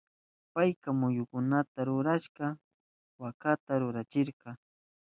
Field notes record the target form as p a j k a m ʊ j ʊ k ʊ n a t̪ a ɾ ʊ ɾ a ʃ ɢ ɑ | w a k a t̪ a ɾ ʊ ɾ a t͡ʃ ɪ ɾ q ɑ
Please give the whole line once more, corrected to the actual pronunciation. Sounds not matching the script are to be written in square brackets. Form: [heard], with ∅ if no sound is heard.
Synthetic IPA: p a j k a m ʊ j ʊ k ʊ n a t̪ a ɾ ʊ ɾ a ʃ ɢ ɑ | w a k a t̪ a ɾ ʊ ɾ a t͡ʃ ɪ ɾ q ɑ